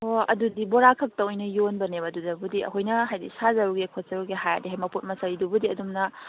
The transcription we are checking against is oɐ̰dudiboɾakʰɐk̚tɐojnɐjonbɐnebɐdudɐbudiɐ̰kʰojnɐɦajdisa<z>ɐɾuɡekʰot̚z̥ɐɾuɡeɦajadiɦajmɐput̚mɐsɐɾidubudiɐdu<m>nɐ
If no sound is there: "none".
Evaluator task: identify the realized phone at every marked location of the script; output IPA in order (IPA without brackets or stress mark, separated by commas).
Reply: z, m